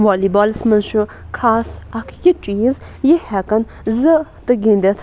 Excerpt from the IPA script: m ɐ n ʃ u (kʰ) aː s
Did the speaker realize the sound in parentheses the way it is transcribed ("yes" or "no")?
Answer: yes